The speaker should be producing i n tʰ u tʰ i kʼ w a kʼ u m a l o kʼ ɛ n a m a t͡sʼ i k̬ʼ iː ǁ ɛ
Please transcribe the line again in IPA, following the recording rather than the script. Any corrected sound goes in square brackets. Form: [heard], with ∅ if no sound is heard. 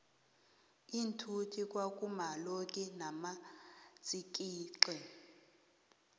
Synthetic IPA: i n tʰ u tʰ i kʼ w a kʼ u m a l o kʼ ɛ n a m a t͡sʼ i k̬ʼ iː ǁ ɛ